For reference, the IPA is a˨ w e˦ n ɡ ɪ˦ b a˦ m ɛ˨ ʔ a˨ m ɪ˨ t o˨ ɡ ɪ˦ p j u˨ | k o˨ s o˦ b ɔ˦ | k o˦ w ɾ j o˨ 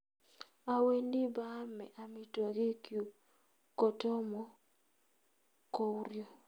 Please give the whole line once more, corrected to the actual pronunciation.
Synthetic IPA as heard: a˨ w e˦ n d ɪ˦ b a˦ m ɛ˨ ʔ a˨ m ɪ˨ t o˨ ɡ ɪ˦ k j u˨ | k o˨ t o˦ m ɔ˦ | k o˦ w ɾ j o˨